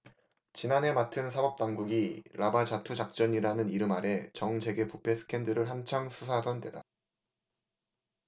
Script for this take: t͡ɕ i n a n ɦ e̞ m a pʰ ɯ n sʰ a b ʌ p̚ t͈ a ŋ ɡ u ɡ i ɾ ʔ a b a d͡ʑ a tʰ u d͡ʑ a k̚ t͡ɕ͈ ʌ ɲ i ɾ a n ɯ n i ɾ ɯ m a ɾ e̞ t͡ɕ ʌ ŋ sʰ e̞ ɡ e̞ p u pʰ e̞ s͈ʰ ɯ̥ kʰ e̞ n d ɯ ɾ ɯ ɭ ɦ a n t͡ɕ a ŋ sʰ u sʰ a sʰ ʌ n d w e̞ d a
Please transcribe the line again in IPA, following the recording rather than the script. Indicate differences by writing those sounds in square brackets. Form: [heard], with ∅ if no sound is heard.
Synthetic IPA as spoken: t͡ɕ i n a n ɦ e̞ m a [tʰ] ɯ n sʰ a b ʌ p̚ t͈ a ŋ ɡ u ɡ i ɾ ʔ a b a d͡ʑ a tʰ u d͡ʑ a k̚ t͡ɕ͈ ʌ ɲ i ɾ a n ɯ n i ɾ ɯ m a ɾ e̞ t͡ɕ ʌ ŋ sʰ e̞ ɡ e̞ p u pʰ e̞ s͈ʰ ɯ̥ kʰ e̞ n d ɯ ɾ ɯ ɭ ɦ a n [t͡ɕʰ] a ŋ sʰ u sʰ a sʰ ʌ n d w e̞ d a